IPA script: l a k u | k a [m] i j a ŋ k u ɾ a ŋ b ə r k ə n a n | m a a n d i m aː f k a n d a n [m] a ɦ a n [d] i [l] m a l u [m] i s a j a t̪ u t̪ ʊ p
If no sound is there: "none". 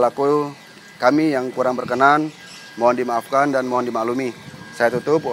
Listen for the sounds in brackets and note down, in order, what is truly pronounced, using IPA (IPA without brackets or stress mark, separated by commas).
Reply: m, m, d, none, m